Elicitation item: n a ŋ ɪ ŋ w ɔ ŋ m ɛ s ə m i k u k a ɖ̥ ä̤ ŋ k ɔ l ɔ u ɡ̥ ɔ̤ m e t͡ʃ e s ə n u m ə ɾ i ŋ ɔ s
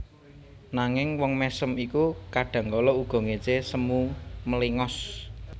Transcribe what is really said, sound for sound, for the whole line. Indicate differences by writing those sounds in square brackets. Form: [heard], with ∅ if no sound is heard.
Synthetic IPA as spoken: n a ŋ ɪ ŋ w ɔ ŋ m ɛ s ə m i k u k a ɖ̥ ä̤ ŋ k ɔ l ɔ u ɡ̥ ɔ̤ [ŋ] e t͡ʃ e s ə [m] u m ə [l] i ŋ ɔ s